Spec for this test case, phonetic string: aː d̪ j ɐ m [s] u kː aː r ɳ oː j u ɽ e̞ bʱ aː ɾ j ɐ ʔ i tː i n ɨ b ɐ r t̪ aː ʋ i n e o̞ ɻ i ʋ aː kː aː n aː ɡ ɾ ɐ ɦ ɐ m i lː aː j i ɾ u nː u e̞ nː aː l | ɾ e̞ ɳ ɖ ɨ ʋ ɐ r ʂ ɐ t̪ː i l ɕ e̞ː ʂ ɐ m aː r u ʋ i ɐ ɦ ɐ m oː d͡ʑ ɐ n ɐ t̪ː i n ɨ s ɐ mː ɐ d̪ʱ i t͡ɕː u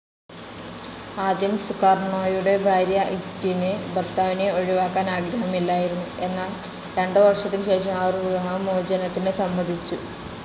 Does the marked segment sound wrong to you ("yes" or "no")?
no